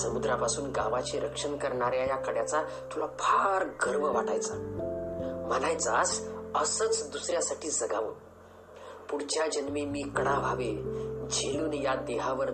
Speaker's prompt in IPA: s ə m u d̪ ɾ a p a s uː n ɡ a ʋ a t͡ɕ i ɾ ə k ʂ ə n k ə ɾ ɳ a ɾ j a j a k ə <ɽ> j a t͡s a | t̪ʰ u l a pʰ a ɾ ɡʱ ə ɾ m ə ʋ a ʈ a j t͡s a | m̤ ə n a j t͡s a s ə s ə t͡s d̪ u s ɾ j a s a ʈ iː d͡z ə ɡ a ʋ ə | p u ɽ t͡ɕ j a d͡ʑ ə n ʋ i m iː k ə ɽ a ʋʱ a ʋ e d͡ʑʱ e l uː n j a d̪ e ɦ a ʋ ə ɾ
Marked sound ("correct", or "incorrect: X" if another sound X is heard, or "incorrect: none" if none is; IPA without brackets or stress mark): correct